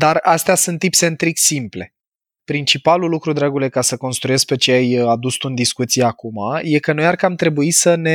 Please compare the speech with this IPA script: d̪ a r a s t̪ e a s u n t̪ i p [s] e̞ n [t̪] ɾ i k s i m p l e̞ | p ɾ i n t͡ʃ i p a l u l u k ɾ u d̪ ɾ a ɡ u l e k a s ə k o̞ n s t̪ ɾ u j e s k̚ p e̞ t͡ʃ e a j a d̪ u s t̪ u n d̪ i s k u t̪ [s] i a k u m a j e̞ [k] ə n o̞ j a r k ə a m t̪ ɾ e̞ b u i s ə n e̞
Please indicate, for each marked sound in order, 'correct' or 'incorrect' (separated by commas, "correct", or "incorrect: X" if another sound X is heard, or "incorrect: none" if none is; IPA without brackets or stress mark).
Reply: correct, correct, correct, correct